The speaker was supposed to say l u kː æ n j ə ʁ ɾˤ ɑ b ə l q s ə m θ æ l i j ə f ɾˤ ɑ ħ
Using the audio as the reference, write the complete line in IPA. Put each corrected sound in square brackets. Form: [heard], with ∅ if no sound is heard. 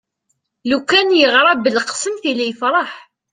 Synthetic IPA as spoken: l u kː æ n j ə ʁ ɾˤ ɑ b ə l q s ə m θ [i] l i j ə f ɾˤ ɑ ħ